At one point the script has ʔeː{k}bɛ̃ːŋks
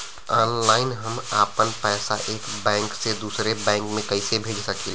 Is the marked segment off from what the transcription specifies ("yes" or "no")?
no